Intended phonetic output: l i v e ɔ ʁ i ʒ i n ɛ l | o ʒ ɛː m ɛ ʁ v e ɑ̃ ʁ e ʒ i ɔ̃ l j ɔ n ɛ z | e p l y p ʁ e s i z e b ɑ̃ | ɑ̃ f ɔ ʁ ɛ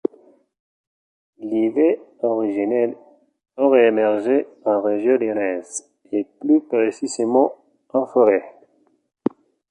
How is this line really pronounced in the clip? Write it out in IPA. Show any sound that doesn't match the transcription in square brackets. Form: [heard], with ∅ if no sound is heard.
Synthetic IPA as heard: l i v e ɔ ʁ i ʒ i n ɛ l | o [ʁ] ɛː m ɛ ʁ [ʒ] e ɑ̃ ʁ e ʒ [j] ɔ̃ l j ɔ n ɛ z | e p l y p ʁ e s i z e [m] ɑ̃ | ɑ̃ f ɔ ʁ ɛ